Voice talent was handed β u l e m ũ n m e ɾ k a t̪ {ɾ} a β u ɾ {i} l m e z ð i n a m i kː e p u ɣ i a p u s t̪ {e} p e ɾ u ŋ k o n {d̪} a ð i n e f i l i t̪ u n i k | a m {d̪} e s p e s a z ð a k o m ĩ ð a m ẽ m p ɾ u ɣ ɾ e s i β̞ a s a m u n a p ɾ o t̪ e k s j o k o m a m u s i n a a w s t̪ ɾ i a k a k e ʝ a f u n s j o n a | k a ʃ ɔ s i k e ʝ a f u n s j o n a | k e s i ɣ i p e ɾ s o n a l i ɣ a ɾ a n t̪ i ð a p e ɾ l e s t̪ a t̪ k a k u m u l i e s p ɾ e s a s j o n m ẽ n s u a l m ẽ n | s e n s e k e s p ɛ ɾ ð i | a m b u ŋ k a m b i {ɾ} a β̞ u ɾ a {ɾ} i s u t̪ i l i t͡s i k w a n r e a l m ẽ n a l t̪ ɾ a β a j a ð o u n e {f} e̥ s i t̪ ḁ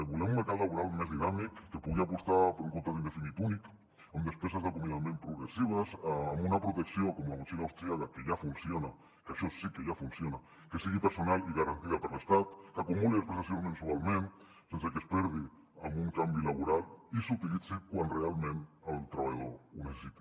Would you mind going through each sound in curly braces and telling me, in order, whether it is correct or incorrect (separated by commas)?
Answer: incorrect, incorrect, incorrect, incorrect, correct, incorrect, incorrect, incorrect